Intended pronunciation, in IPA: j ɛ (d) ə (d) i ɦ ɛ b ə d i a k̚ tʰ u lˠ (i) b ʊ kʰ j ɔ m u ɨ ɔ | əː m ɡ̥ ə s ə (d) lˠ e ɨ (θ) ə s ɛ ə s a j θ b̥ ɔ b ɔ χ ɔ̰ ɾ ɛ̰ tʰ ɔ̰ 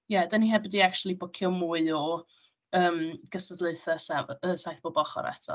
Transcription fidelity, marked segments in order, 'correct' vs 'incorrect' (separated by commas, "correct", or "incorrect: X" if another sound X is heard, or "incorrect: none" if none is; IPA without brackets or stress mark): correct, incorrect: n, correct, correct, correct